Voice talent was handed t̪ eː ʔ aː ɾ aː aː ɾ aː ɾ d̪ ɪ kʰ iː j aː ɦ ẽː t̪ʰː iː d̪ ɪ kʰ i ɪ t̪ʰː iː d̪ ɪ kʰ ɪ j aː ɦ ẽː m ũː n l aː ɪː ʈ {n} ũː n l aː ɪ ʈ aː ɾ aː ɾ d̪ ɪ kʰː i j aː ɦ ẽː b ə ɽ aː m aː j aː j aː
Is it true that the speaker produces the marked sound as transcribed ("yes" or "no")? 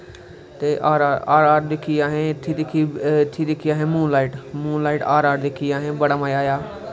no